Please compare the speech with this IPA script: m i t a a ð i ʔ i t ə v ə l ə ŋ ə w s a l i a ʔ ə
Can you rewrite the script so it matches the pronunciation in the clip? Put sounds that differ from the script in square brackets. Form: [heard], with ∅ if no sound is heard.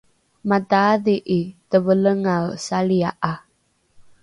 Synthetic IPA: m [a] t a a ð i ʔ i t ə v ə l ə ŋ [a] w s a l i a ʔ [a]